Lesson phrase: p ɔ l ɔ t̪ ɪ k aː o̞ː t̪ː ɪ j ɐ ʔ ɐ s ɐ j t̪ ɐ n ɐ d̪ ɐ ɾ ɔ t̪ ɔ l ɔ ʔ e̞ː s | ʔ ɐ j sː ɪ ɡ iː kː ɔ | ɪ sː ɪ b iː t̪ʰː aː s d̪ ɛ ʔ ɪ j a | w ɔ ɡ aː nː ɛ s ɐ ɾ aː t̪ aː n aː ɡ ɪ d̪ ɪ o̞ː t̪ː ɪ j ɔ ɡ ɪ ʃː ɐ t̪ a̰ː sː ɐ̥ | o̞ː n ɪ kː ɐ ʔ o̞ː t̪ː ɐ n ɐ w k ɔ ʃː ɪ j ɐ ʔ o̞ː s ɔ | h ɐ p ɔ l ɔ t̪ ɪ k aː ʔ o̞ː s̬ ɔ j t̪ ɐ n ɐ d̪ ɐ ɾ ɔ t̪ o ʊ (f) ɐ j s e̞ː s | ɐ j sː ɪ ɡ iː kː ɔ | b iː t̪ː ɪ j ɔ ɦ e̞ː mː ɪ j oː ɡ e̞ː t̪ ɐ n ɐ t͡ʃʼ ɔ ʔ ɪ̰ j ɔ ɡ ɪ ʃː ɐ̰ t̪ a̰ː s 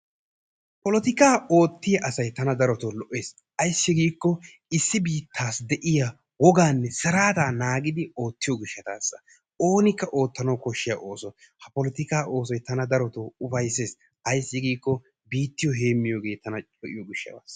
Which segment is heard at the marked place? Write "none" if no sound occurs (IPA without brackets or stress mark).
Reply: f